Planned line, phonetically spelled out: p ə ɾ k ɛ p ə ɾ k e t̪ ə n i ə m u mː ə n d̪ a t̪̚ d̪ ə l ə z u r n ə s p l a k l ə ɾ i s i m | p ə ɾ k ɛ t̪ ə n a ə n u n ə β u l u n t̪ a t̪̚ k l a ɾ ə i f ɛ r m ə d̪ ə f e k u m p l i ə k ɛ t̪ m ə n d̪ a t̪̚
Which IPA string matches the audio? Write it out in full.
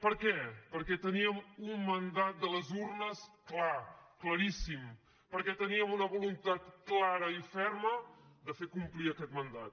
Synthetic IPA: p ə ɾ k ɛ p ə ɾ k ɛ t̪ ə n i ə m u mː ə n d̪ a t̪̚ d̪ ə l ə z u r n ə s k l a k l ə ɾ i s i m | p ə ɾ k ɛ t̪ ə n i ə m u n ə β u l u n t̪ a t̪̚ k l a ɾ ə i f ɛ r m ə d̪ ə f e k u m p l i ə k ɛ t̪ m ə n d̪ a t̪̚